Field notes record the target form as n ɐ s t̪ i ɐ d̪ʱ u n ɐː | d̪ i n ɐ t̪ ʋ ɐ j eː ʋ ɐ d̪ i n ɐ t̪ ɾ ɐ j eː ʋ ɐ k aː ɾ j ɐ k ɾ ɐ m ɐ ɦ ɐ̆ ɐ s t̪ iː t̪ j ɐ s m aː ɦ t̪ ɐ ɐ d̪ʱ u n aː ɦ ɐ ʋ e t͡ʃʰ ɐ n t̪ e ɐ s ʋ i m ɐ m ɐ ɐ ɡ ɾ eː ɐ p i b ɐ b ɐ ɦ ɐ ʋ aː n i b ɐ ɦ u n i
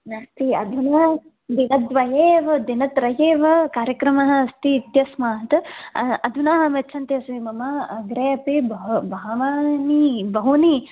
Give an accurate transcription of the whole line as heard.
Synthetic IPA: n ɐ s t̪ i ɐ d̪ʱ u n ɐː | d̪ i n ɐ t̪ ʋ ɐ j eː ʋ ɐ d̪ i n ɐ t̪ ɾ ɐ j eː ʋ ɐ k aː ɾ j ɐ k ɾ ɐ m ɐ ɦ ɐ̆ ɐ s t̪ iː t̪ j ɐ s m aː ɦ t̪ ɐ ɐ d̪ʱ u n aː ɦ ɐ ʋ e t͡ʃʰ ɐ n t̪ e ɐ s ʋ i m ɐ m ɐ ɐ ɡ ɾ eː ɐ p i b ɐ b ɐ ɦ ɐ ʋ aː n i b ɐ ɦ u n i